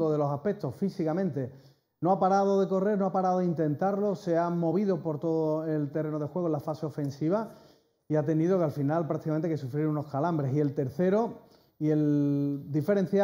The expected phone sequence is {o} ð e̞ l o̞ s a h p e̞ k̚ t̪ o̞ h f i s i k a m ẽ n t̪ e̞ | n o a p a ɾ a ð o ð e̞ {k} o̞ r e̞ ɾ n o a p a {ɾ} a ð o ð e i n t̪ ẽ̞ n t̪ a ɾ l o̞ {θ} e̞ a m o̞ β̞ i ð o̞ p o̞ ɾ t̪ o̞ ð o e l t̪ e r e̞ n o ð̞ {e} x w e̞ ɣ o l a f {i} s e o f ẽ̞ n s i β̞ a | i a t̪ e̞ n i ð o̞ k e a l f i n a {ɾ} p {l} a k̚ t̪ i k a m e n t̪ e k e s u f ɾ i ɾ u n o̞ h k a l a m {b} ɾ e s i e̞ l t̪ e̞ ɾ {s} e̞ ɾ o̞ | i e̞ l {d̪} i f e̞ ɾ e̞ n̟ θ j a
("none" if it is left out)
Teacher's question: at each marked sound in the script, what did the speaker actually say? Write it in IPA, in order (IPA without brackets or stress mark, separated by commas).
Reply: o, k, ɾ, s, e, a, l, ɾ, b, θ, d̪